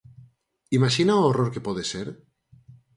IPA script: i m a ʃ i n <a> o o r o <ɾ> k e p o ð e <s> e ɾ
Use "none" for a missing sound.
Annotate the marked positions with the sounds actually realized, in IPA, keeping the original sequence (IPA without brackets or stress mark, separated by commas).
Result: a, ɾ, s